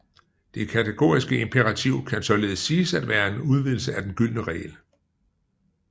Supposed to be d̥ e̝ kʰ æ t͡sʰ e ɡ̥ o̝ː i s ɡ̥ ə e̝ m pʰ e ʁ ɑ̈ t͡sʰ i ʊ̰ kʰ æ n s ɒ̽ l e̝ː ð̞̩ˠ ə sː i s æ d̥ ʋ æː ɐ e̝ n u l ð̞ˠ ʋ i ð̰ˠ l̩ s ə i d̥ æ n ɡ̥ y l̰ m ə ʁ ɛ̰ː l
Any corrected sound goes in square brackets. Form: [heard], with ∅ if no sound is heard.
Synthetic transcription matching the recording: d̥ e̝ kʰ æ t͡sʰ e ɡ̥ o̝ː i s ɡ̥ ə e̝ m pʰ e ʁ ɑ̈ t͡sʰ i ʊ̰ kʰ æ n s ɒ̽ l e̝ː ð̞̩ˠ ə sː [iː] s æ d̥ ʋ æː ɐ e̝ n u [∅] ð̞ˠ ʋ i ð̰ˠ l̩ s ə [æ] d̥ [e] n ɡ̥ y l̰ [n] ə ʁ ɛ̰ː l